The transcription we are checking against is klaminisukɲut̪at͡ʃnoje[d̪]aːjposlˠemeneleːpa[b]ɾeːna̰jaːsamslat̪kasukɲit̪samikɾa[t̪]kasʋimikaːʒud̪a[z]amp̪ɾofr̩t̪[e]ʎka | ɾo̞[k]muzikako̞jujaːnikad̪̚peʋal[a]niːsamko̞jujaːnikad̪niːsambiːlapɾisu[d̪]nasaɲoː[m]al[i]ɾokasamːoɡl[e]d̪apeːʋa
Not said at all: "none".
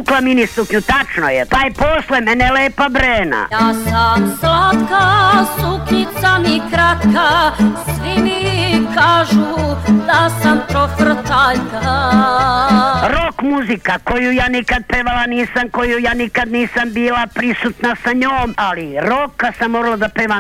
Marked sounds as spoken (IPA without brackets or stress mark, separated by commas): t̪, b, t̪, s, a, k, a, t̪, m, i, a